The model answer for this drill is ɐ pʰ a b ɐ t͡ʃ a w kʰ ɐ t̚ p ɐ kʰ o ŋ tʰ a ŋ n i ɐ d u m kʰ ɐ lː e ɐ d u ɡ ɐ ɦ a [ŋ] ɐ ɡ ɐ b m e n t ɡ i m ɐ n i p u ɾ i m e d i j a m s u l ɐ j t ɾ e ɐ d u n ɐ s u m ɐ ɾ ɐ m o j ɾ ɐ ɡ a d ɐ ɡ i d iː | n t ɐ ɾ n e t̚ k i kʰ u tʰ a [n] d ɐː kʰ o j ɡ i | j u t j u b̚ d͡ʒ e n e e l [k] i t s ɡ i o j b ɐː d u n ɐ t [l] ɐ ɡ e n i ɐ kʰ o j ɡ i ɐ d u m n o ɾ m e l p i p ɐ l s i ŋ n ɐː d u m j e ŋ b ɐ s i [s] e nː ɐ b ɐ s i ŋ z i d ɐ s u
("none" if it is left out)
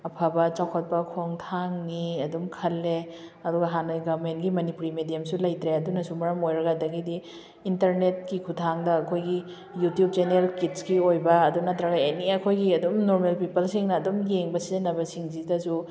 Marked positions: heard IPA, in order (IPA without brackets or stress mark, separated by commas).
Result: n, ŋ, k, ɾ, z